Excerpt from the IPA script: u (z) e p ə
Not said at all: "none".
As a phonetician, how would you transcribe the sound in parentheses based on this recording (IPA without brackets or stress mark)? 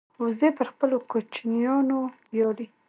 z